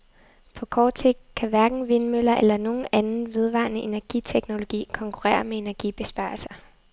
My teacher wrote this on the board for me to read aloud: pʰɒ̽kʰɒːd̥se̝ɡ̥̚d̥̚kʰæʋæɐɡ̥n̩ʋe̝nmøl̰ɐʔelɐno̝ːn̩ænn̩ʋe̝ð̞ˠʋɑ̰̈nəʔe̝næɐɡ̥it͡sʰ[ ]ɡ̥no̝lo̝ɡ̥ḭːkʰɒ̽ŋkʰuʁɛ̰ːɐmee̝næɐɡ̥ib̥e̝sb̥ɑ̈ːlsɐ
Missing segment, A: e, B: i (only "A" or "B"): A